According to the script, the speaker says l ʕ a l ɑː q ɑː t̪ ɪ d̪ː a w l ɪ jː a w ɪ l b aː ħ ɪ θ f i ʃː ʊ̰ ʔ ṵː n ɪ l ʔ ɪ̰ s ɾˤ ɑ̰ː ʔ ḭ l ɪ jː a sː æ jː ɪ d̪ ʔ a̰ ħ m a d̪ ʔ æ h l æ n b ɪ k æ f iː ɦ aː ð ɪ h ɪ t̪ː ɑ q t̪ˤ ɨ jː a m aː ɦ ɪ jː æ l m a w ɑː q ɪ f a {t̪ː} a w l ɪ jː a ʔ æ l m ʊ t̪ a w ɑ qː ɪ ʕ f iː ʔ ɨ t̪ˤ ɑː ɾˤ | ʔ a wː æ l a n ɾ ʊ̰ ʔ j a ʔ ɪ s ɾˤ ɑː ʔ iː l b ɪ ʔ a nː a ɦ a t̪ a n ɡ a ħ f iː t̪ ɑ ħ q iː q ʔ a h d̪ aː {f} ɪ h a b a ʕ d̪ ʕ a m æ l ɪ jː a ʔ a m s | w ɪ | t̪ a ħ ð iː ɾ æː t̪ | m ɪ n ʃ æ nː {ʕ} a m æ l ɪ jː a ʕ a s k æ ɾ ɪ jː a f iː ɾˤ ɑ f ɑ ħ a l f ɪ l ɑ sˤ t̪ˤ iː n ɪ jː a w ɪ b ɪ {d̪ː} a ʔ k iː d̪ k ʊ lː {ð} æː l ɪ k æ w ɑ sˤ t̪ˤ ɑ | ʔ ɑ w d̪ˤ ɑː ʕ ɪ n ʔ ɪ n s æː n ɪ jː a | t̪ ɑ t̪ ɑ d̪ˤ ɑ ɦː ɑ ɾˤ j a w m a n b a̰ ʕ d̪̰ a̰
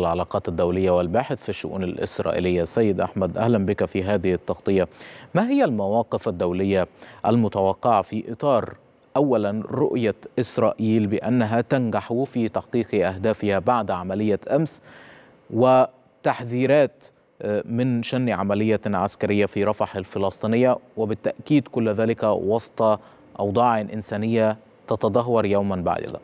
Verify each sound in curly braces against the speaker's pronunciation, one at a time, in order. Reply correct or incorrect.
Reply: incorrect, correct, correct, incorrect, correct

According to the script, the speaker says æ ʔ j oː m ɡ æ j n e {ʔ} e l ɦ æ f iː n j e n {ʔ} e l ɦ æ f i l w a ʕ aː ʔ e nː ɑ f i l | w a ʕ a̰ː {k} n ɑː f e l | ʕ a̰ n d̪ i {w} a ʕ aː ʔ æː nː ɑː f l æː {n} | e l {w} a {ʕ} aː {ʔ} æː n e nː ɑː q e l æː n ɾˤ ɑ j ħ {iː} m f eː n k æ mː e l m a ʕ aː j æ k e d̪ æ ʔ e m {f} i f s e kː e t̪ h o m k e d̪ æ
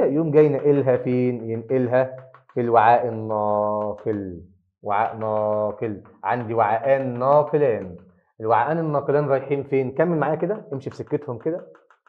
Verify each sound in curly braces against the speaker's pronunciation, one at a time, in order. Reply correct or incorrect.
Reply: correct, correct, incorrect, correct, correct, correct, correct, correct, correct, incorrect

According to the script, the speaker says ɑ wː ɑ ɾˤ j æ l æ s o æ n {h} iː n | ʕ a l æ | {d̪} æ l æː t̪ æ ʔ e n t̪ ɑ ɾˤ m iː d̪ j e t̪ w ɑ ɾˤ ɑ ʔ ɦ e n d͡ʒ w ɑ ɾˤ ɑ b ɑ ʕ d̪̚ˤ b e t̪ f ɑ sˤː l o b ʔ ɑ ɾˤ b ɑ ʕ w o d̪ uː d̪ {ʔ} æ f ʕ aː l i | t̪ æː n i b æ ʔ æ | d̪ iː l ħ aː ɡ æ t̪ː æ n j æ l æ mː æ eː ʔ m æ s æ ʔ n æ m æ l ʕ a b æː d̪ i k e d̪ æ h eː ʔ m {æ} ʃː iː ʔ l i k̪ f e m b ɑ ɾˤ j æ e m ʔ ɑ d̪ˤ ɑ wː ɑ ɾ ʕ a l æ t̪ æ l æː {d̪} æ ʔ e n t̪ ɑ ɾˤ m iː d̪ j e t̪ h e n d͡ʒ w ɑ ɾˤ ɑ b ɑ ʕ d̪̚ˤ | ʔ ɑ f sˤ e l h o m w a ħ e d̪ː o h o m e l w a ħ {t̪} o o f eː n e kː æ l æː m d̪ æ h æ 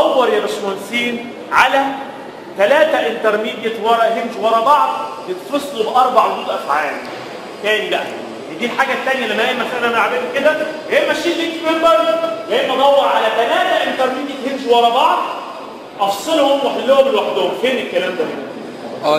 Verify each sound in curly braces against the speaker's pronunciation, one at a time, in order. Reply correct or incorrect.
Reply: incorrect, incorrect, correct, correct, incorrect, incorrect

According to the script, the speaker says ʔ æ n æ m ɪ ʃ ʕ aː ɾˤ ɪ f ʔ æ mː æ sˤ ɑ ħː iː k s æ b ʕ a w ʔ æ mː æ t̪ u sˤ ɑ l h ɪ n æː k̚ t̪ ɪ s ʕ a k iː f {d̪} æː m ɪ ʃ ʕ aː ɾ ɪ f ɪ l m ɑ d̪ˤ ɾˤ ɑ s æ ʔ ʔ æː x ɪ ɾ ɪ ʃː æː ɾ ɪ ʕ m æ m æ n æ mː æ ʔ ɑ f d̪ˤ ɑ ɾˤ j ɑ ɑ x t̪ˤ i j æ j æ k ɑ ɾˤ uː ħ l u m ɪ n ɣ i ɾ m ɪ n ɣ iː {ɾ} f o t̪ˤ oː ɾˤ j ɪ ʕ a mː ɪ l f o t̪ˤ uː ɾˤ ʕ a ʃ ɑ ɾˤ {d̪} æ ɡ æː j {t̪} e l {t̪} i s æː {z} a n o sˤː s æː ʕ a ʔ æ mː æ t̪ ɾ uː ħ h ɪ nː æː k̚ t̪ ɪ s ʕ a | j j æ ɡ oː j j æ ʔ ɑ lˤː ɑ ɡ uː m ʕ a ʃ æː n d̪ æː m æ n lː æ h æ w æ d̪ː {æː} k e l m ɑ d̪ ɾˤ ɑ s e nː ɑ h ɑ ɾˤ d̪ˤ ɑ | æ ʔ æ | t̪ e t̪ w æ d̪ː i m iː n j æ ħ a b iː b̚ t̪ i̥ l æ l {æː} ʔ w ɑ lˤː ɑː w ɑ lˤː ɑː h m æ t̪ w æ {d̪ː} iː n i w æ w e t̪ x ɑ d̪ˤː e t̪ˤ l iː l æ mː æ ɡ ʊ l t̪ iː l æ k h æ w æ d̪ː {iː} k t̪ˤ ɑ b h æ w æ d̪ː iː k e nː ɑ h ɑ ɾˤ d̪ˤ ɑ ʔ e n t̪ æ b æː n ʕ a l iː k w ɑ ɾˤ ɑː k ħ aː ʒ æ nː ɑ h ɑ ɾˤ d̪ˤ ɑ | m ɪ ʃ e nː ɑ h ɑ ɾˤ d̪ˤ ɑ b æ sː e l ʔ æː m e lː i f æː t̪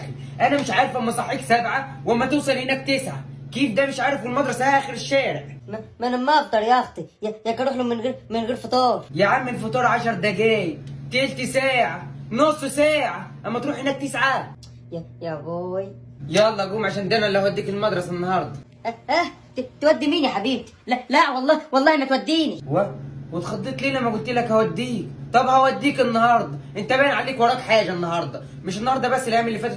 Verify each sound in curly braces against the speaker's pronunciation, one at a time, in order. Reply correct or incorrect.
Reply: correct, correct, correct, correct, correct, incorrect, incorrect, incorrect, correct, correct

